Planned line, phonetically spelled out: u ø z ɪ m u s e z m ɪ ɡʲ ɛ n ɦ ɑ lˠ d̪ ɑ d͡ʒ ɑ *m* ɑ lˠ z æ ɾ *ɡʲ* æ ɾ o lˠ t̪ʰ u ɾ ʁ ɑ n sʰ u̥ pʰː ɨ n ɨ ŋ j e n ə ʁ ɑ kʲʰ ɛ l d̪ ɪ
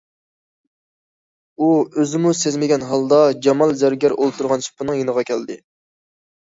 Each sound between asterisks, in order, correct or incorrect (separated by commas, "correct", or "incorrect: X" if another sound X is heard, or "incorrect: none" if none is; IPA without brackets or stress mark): correct, correct